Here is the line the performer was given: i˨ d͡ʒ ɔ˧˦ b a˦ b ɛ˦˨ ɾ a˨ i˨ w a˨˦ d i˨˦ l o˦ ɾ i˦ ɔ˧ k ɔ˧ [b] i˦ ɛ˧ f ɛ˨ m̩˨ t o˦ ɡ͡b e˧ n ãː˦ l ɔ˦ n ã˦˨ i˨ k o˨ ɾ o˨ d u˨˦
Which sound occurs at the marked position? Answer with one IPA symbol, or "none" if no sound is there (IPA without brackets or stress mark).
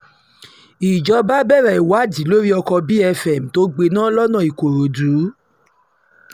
b